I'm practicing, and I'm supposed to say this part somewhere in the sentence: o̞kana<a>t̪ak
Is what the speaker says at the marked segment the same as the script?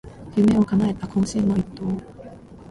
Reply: no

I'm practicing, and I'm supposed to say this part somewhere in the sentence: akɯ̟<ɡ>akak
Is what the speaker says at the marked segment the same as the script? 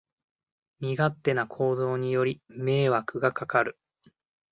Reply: yes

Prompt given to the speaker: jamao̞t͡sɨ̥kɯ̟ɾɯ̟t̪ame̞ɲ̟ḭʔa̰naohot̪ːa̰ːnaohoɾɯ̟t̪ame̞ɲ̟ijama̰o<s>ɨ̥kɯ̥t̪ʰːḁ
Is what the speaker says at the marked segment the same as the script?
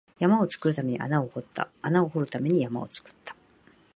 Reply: no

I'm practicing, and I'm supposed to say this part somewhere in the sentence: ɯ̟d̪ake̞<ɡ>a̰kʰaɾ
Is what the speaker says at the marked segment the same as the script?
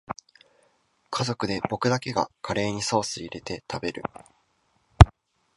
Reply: yes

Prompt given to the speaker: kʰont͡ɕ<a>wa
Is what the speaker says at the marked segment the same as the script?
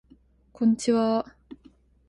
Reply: no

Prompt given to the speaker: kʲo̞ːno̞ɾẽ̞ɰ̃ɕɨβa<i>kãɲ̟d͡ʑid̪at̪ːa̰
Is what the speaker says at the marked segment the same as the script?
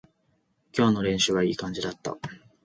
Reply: no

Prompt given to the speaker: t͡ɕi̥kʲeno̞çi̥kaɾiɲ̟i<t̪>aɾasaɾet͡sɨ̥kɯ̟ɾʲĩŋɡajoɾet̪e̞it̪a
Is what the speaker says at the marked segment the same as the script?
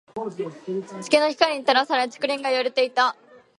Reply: yes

